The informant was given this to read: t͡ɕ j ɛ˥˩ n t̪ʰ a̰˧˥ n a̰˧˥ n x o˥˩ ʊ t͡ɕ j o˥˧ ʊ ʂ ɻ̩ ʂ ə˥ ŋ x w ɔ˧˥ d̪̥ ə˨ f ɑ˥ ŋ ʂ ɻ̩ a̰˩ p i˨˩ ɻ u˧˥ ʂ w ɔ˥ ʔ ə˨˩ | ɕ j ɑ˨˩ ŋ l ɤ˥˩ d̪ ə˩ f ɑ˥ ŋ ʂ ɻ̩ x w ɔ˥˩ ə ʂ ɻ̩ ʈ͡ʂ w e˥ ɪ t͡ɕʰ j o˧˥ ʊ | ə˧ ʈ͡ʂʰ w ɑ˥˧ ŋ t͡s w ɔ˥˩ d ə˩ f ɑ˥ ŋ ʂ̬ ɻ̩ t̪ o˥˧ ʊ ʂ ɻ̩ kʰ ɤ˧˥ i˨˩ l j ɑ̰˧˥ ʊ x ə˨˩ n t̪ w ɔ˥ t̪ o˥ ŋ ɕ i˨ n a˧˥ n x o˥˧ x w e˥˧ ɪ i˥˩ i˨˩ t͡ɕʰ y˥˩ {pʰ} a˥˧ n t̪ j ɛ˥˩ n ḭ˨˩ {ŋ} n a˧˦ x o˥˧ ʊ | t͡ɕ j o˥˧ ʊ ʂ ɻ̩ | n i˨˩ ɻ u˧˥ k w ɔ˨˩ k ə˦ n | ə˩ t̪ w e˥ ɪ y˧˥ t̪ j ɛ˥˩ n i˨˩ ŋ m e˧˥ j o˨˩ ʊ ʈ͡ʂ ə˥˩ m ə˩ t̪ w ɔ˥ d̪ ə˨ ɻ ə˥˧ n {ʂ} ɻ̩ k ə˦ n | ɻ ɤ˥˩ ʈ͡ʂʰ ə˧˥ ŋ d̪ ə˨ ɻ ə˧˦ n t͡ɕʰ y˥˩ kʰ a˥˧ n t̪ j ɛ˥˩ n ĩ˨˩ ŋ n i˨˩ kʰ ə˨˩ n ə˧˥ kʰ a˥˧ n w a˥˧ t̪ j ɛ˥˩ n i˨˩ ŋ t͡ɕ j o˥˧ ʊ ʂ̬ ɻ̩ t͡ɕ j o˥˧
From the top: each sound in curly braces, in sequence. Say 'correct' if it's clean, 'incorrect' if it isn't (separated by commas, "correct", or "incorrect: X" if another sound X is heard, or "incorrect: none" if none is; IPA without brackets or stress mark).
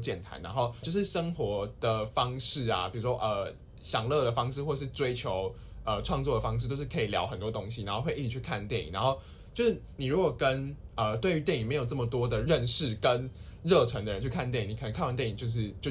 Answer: incorrect: kʰ, correct, correct